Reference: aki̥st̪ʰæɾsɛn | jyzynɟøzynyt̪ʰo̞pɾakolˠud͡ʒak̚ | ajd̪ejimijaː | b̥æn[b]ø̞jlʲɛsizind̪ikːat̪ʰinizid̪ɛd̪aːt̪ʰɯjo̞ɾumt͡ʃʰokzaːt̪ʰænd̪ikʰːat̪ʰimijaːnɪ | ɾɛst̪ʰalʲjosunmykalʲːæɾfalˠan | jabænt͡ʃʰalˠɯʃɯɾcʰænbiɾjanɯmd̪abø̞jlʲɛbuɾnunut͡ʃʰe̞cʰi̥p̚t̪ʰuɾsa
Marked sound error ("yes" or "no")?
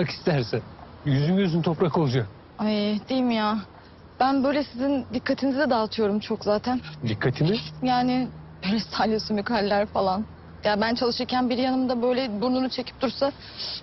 no